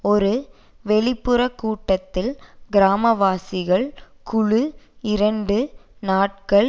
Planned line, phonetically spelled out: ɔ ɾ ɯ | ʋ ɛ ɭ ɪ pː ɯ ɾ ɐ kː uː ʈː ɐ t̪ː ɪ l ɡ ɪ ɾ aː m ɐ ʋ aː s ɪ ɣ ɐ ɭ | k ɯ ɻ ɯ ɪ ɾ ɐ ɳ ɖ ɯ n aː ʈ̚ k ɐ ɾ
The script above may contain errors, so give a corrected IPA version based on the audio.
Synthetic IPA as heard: ɔ ɾ ɯ | ʋ ɛ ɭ ɪ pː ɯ ɾ ɐ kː uː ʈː ɐ t̪ː ɪ l ɡ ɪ ɾ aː m ɐ ʋ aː s ɪ ɣ ɐ ɭ | k ʊ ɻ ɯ ɪ ɾ ɐ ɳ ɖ ɯ n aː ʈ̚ k ɐ ɭ